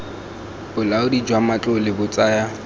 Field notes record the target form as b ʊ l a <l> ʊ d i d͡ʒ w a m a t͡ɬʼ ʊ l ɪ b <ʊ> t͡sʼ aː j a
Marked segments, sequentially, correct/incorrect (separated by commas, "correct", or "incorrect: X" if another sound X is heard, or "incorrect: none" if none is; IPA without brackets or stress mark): incorrect: none, correct